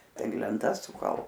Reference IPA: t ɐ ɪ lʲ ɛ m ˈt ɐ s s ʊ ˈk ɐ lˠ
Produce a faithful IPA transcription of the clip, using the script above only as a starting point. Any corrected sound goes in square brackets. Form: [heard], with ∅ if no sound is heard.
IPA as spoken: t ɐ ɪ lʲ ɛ [n] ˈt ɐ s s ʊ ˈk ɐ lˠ